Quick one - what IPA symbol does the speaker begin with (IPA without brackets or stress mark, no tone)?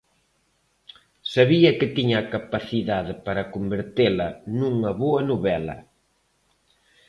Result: s